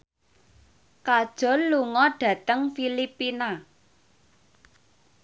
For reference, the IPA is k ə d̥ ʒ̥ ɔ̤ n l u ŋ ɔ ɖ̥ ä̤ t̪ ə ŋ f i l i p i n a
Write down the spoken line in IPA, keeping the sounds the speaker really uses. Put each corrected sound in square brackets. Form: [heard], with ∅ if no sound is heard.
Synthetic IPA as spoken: k [a] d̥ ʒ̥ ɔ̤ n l u ŋ ɔ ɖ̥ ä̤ t̪ ə ŋ f i l i p i n a